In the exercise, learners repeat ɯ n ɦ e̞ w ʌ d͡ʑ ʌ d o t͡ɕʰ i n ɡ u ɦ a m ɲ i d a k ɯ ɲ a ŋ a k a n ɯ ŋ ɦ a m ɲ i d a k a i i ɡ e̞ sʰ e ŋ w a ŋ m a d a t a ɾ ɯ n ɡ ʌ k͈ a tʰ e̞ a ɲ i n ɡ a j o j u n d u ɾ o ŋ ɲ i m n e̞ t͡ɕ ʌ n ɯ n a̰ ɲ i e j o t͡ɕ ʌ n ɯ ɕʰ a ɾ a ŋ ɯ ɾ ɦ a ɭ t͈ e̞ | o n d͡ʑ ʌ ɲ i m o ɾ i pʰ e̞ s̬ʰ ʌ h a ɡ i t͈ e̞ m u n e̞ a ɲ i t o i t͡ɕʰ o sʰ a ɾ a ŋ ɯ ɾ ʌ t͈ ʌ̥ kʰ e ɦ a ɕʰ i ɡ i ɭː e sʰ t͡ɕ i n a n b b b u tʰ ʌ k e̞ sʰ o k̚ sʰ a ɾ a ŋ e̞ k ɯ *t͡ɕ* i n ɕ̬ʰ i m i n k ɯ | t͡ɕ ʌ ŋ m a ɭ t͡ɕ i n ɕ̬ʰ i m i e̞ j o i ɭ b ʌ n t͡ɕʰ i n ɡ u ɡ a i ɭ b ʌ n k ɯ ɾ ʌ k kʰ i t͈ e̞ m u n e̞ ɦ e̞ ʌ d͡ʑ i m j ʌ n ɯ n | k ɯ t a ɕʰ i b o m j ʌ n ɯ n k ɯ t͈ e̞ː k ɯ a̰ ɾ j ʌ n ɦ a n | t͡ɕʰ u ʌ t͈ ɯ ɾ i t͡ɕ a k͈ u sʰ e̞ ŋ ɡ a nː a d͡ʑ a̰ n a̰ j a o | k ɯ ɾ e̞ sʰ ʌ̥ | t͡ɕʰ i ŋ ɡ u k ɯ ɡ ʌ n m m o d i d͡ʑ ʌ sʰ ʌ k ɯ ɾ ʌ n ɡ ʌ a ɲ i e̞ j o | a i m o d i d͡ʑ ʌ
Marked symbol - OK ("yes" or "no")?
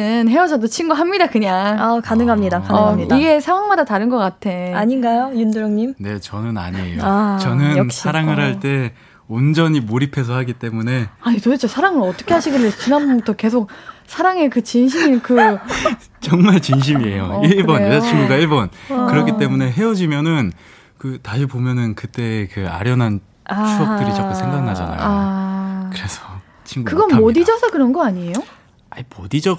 yes